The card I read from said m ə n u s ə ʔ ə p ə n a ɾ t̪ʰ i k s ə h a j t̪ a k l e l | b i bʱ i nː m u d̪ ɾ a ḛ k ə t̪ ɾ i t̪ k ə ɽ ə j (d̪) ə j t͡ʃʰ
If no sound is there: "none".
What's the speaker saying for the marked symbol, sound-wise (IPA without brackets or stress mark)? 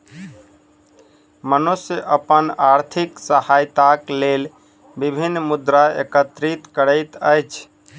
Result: t̪